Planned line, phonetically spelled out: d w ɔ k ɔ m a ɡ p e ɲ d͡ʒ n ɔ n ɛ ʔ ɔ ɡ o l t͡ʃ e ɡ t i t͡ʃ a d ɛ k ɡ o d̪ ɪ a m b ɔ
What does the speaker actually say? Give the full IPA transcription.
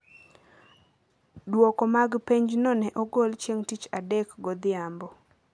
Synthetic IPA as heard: d w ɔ k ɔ m a ɡ p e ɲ d͡ʒ n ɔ n ɛ ʔ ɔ ɡ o l t͡ʃ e ŋ t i t͡ʃ a d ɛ k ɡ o d̪ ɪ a m b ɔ